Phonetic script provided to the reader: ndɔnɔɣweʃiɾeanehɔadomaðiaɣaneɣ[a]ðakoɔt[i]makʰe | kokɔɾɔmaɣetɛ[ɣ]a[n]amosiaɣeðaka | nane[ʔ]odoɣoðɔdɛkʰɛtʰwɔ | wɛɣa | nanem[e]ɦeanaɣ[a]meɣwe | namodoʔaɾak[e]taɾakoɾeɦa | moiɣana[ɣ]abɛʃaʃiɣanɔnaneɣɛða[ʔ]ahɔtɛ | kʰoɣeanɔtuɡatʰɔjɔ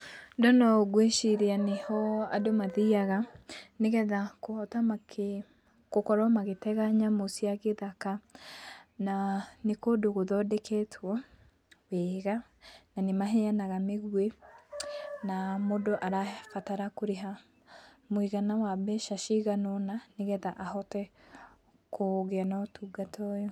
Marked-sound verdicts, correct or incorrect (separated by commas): incorrect, incorrect, correct, incorrect, incorrect, incorrect, correct, incorrect, incorrect, correct